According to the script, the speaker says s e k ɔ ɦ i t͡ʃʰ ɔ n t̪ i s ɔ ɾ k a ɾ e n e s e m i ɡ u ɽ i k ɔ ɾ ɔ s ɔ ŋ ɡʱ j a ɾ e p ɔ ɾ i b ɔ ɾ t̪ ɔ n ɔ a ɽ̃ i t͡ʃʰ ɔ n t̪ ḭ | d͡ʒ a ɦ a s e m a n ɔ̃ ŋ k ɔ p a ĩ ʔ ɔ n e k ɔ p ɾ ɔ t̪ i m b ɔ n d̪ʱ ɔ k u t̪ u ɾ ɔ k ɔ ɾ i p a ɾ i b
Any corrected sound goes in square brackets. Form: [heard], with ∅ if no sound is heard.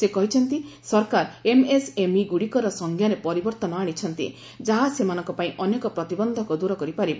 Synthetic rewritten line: s e k ɔ ɦ i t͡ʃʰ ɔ n t̪ i s ɔ ɾ k a ɾ e [m] e s e m i ɡ u ɽ i k ɔ ɾ ɔ s ɔ ŋ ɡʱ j a ɾ e p ɔ ɾ i b ɔ ɾ t̪ ɔ n ɔ a ɽ̃ i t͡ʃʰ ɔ n t̪ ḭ | d͡ʒ a ɦ a s e m a n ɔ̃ ŋ k ɔ p a ĩ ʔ ɔ n e k ɔ p ɾ ɔ t̪ i [∅] b ɔ n d̪ʱ ɔ k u [d̪] u ɾ ɔ k ɔ ɾ i p a ɾ i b